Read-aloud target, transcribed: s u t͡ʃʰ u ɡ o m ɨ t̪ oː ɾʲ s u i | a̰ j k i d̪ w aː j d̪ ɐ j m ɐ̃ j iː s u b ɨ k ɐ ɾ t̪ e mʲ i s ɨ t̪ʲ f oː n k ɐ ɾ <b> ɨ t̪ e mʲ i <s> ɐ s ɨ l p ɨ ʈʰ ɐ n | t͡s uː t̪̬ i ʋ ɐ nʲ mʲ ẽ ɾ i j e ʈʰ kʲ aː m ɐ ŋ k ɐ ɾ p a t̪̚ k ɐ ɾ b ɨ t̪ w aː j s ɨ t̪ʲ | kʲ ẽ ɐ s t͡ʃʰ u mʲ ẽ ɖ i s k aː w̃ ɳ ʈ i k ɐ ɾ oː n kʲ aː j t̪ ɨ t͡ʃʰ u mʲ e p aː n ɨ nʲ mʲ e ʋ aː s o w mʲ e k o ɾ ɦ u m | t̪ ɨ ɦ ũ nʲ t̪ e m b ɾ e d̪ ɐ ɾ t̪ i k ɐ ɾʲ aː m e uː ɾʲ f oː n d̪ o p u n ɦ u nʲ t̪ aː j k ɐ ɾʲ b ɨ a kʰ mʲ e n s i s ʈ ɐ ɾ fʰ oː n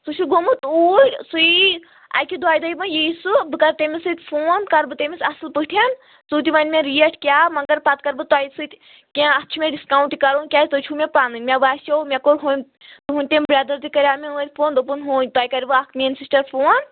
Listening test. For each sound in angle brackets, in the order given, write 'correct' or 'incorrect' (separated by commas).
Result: correct, correct